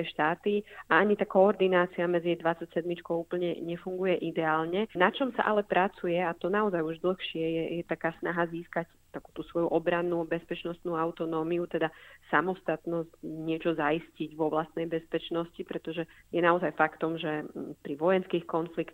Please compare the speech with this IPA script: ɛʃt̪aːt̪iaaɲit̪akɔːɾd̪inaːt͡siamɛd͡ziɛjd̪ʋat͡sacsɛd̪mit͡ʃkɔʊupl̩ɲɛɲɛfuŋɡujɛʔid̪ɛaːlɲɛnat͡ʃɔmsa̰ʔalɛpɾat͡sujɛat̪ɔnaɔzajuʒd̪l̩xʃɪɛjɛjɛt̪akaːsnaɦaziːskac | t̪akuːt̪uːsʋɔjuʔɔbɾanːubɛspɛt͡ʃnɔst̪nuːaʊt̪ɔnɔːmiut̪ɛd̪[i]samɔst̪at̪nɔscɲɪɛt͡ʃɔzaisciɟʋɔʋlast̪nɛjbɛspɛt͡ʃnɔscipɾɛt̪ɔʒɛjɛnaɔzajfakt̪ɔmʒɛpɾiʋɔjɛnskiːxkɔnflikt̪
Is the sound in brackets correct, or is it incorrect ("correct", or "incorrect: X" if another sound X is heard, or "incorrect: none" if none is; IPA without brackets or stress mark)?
incorrect: a